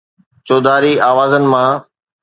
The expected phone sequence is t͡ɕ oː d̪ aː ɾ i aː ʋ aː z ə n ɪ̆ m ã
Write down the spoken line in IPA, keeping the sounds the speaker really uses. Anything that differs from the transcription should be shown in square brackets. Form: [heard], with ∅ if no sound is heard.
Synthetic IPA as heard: t͡ɕ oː d̪ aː ɾ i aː ʋ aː z ə n ɪ̆ m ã